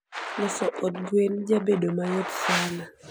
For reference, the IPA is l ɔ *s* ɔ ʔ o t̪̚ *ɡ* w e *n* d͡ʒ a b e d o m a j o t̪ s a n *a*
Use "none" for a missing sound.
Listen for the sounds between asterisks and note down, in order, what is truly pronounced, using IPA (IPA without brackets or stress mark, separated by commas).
s, ɡ, n, a